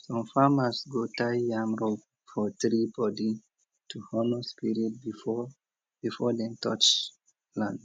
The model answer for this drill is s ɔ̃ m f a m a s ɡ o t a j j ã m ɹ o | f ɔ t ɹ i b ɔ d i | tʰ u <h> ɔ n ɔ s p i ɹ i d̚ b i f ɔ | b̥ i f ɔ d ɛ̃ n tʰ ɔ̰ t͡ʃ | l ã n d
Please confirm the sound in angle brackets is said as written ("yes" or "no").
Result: yes